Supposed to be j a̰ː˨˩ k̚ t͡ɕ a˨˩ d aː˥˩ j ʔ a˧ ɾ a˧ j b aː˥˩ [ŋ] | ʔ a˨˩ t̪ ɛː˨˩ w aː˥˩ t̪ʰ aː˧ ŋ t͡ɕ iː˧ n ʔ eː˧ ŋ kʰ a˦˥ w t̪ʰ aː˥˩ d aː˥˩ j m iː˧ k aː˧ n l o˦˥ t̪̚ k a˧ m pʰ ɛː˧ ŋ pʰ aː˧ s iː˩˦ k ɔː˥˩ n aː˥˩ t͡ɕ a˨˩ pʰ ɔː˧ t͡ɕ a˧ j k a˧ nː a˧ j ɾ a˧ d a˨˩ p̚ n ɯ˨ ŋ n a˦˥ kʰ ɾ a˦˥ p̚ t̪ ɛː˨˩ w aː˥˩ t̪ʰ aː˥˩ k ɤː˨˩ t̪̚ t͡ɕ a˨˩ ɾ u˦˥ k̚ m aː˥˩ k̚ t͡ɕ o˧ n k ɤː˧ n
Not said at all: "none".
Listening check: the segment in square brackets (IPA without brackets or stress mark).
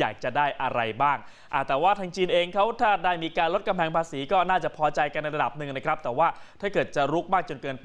ŋ